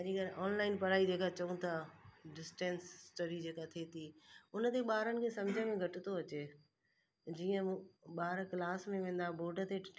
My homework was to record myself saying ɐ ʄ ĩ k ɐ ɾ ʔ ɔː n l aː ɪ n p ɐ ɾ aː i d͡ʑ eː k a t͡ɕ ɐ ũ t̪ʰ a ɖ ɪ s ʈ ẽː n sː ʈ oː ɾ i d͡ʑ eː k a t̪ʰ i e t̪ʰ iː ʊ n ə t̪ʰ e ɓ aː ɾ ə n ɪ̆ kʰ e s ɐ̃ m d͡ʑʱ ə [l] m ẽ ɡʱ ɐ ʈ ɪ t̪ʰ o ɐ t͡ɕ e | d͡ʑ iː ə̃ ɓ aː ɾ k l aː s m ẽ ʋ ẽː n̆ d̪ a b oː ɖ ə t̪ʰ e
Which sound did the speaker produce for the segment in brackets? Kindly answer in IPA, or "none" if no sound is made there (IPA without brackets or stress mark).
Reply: none